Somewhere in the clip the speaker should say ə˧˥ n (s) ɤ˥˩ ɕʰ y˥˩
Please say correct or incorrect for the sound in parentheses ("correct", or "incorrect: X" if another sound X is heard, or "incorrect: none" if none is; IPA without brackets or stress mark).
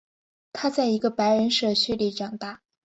incorrect: ʂ